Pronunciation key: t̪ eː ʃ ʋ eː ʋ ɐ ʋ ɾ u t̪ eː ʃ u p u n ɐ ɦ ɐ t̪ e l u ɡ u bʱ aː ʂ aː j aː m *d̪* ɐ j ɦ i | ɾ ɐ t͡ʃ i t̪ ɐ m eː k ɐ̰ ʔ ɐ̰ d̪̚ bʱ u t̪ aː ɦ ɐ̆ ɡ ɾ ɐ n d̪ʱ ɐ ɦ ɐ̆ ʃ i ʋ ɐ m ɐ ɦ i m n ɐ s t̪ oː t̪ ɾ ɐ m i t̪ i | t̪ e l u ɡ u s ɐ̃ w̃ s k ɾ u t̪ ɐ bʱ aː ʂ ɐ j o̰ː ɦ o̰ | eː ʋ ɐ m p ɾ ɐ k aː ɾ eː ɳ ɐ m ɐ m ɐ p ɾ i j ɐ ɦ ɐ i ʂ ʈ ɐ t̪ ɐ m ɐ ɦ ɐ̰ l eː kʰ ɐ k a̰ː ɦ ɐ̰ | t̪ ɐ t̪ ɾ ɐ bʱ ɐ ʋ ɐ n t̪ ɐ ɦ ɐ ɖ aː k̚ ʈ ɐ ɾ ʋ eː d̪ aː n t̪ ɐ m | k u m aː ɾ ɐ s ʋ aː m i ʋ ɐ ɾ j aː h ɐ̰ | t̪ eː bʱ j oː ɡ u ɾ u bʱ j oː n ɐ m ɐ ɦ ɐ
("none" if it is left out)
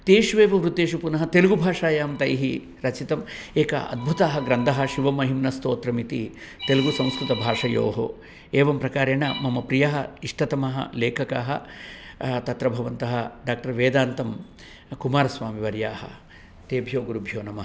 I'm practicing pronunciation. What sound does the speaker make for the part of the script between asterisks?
t̪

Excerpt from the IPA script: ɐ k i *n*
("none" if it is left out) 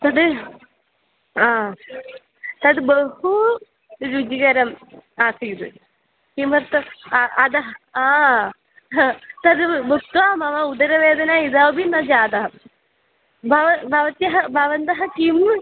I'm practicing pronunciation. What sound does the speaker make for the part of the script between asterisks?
m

